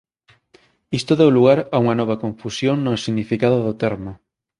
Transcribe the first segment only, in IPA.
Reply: i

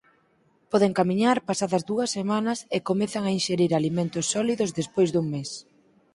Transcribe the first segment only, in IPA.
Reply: p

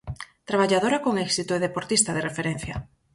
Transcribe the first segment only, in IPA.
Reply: t̪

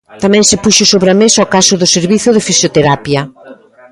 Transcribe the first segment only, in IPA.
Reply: t̪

